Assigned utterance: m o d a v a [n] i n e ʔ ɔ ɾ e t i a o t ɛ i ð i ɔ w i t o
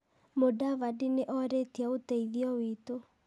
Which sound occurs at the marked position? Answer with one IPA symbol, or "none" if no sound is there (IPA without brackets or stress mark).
d